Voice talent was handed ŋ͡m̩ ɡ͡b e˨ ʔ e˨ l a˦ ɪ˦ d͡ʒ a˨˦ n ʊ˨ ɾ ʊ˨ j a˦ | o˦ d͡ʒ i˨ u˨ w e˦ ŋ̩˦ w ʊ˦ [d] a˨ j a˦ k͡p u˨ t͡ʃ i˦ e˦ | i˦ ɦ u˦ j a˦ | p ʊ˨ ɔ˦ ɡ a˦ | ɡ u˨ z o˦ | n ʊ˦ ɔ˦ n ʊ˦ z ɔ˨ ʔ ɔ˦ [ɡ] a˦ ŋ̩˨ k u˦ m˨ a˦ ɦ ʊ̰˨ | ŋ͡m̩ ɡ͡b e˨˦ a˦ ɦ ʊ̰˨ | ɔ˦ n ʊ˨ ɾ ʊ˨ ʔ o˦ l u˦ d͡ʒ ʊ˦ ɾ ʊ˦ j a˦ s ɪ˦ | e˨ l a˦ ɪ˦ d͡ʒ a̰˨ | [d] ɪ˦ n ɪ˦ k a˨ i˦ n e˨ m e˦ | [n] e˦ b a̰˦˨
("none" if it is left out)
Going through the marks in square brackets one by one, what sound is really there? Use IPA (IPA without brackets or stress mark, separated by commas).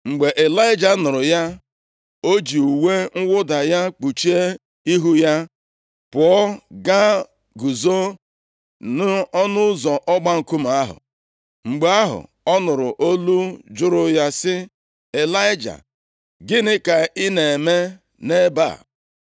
d, ɡ͡b, ɡ, n